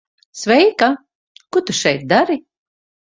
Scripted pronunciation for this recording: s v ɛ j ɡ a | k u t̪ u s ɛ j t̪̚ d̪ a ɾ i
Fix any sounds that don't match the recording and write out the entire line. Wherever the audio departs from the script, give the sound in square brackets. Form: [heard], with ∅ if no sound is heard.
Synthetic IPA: s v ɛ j [k] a | k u t̪ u [ʃ] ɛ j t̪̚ d̪ a ɾ i